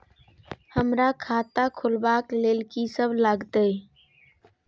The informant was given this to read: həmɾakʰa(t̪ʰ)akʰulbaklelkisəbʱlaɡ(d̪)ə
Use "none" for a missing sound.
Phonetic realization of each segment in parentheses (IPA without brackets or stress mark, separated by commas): t̪, t̪